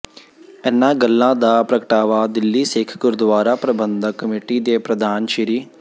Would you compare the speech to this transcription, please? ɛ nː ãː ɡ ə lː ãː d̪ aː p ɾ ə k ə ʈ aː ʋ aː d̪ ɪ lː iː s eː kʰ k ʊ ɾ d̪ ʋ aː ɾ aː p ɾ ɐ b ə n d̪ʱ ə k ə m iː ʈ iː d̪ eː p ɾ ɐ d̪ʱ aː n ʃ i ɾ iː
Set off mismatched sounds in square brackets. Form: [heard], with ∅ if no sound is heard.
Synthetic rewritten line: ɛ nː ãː ɡ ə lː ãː d̪ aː p ɾ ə k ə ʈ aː ʋ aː d̪ ɪ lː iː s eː kʰ k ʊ ɾ d̪ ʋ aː ɾ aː p ɾ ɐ b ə n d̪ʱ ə k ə m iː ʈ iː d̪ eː p ɾ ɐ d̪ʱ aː n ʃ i ɾ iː